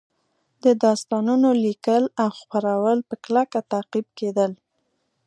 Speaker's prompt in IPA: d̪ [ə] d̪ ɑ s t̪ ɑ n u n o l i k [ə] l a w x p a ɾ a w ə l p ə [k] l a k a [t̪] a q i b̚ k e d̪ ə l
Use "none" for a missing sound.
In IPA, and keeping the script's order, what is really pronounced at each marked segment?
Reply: ə, ə, k, t̪

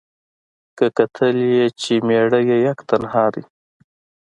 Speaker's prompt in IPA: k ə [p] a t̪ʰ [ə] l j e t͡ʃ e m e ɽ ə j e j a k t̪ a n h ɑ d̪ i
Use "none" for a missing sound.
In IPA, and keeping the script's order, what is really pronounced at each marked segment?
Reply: k, ə

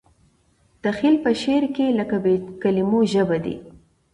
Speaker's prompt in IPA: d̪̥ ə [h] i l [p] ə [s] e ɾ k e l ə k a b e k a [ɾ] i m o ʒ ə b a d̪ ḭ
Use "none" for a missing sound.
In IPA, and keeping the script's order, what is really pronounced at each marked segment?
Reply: x, p, ʃ, l

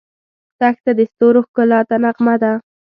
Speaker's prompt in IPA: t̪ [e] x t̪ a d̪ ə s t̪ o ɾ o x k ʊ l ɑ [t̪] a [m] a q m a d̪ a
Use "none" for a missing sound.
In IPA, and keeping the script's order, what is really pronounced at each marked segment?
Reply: a, t̪, n

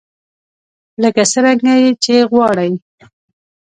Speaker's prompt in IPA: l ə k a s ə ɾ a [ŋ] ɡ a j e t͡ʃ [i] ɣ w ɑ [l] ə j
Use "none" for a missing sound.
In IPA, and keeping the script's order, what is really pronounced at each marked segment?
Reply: ŋ, e, ɽ

